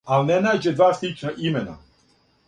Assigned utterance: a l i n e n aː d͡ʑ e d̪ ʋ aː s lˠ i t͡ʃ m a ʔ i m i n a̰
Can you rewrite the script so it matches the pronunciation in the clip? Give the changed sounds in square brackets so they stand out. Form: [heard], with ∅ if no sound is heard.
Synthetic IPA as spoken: a l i n e n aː d͡ʑ e d̪ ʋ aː s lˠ i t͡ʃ [n] a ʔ i m [e] n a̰